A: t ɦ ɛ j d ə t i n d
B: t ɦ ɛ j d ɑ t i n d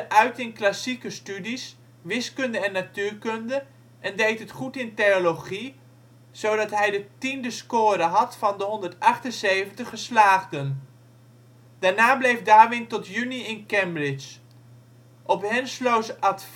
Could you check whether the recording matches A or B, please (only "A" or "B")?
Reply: A